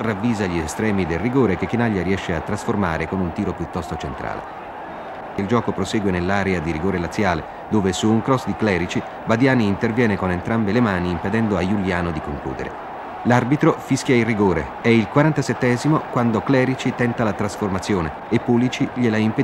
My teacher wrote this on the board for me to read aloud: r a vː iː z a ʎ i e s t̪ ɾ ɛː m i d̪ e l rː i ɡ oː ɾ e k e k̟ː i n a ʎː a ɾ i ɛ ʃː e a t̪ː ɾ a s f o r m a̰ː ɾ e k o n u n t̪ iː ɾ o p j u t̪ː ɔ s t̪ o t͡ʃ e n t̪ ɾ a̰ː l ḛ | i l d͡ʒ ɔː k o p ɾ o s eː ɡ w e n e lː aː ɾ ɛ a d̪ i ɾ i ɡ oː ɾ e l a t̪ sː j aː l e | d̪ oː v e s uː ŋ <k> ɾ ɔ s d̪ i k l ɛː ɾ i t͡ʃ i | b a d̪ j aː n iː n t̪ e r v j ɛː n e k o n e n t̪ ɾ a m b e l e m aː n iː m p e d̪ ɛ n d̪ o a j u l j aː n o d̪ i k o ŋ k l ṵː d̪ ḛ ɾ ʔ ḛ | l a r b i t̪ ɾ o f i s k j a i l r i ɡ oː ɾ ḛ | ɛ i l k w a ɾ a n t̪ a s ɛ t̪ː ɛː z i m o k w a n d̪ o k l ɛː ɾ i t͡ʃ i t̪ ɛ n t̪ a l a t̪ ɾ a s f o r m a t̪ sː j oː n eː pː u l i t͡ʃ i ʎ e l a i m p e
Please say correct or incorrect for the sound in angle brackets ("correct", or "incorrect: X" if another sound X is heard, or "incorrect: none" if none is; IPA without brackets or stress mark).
correct